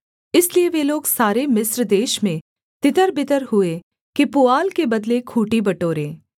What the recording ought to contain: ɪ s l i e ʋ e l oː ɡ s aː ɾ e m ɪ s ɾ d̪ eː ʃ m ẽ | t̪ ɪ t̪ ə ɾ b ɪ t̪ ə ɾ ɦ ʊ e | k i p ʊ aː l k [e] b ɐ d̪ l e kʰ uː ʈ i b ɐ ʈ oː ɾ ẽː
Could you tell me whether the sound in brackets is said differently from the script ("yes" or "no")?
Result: no